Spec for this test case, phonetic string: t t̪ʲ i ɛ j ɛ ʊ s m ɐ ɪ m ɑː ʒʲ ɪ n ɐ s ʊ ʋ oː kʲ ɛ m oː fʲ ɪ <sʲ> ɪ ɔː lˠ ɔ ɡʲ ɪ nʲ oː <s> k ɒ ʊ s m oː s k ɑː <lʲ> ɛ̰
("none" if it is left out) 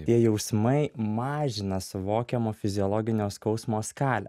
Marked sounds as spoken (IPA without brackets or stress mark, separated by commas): zʲ, s, lʲ